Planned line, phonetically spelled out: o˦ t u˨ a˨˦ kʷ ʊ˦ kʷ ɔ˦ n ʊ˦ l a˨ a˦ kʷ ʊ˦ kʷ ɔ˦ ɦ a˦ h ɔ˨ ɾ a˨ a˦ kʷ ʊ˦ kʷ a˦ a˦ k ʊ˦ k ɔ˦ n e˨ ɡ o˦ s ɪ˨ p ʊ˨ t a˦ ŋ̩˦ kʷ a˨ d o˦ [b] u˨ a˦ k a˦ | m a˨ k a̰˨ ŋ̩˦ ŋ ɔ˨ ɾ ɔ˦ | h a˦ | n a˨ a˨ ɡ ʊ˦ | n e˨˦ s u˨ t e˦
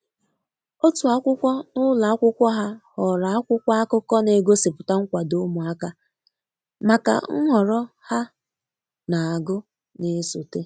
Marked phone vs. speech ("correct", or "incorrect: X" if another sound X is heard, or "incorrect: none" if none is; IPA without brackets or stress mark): incorrect: m